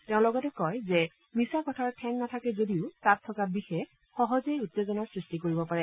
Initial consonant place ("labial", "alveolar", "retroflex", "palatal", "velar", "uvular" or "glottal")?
alveolar